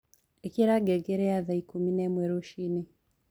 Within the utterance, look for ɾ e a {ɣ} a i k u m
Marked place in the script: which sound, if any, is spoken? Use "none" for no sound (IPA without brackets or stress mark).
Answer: ð